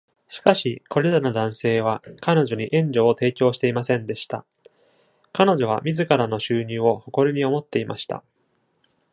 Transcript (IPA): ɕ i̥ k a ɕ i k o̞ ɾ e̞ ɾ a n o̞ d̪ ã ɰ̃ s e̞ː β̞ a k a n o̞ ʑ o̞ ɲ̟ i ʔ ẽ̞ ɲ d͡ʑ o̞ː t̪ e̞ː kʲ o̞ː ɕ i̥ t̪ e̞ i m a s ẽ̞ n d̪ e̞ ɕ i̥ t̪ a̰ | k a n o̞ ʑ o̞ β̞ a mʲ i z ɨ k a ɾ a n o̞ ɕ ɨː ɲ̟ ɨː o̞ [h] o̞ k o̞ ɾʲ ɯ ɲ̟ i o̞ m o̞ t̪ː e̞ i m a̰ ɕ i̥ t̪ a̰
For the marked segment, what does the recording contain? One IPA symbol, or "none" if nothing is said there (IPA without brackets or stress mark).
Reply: h